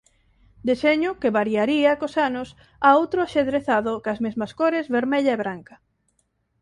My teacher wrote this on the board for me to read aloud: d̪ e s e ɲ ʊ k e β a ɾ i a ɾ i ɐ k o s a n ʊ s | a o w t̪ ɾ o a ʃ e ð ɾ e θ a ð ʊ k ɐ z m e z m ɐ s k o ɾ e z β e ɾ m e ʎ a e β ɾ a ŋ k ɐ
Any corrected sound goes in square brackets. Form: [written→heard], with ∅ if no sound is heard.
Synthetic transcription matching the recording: d̪ e s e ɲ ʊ k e β a ɾ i a ɾ i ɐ k o s a n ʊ s | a o w t̪ ɾ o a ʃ e ð ɾ e θ a ð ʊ k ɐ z m e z m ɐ s k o ɾ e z β e ɾ m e ʎ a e β ɾ a ŋ k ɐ